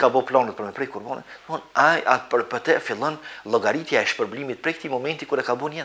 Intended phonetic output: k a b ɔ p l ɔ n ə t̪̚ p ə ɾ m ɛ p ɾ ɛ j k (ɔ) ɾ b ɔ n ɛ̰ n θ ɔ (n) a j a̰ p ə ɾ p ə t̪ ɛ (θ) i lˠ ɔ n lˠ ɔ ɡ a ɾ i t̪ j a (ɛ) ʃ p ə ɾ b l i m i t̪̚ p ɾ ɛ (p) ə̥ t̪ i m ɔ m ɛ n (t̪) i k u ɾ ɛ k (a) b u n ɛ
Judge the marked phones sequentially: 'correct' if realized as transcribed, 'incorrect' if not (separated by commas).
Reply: incorrect, correct, incorrect, correct, incorrect, correct, correct